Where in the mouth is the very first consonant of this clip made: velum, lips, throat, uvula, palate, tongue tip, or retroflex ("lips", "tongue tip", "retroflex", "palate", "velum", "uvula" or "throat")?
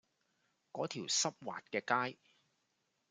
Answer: velum